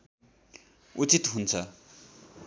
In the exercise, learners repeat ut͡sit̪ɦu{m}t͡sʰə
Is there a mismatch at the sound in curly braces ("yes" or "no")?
yes